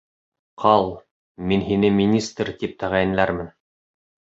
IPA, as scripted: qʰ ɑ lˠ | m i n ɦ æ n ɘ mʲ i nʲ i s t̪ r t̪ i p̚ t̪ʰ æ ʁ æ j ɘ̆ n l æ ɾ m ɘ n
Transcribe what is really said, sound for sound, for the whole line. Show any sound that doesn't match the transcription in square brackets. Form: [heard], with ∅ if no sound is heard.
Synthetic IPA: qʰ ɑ lˠ | m i n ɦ [i] n ɘ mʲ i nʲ i s t̪ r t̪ i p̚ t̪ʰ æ ʁ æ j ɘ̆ n l æ ɾ m ɘ n